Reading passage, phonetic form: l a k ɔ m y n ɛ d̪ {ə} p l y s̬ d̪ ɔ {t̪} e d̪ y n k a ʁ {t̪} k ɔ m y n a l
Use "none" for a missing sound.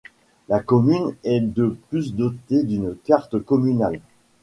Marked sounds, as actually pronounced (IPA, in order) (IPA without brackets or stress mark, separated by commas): ə, t̪, t̪